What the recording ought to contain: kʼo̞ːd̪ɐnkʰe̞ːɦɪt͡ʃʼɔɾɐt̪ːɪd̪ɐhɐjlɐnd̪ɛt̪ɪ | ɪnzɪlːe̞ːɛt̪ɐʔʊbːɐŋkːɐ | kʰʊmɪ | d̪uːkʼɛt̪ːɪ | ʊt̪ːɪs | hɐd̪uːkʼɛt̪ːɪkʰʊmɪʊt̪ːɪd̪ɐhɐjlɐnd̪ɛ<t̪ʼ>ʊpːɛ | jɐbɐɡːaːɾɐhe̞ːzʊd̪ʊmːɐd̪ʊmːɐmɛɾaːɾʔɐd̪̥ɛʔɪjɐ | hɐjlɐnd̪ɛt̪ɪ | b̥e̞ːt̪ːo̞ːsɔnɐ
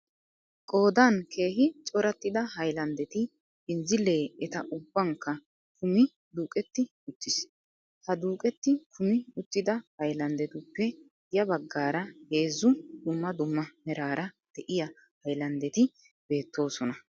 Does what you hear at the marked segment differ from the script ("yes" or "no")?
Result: yes